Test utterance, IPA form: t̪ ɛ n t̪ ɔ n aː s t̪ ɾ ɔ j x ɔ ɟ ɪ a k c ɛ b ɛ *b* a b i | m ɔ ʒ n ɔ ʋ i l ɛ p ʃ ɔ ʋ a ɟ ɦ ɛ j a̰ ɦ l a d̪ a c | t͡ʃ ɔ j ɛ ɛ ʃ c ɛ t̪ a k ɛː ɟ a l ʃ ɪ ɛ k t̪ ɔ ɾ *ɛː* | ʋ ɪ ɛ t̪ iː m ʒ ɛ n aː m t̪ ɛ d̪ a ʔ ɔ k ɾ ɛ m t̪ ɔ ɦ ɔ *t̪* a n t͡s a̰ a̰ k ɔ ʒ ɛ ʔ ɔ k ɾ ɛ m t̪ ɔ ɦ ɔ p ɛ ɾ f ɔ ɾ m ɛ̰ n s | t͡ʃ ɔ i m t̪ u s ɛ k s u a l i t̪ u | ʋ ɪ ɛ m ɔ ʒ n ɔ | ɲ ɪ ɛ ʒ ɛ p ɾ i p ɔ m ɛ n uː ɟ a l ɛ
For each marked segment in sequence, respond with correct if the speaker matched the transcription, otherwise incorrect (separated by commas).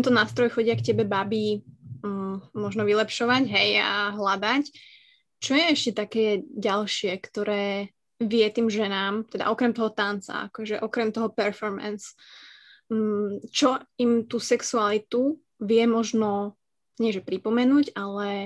correct, correct, correct